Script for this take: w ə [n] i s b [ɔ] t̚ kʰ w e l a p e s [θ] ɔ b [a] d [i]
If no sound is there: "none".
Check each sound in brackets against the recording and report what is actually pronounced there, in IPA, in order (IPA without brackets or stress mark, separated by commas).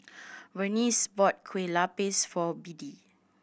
n, ɔ, f, i, i